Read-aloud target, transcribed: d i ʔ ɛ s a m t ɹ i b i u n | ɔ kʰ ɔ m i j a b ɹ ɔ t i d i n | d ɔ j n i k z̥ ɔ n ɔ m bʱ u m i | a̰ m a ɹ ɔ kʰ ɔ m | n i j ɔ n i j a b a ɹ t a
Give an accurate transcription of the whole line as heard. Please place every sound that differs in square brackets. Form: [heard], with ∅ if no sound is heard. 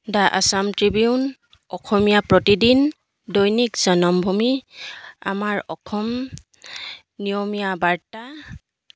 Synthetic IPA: d [a] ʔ [a] s a m t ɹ i b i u n | ɔ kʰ ɔ m i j a [p] ɹ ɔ t i d i n | d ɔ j n i k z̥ ɔ n ɔ m bʱ u m i | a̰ m a ɹ ɔ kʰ ɔ m | n i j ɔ [m] i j a b a ɹ t a